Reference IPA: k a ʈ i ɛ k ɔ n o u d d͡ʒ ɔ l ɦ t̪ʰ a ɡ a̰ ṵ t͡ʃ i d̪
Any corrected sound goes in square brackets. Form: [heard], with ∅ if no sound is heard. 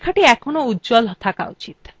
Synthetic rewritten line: [kʰ] a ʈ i ɛ [kʰ] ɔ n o u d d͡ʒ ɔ l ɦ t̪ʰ a [k] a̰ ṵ t͡ʃ i [t̪]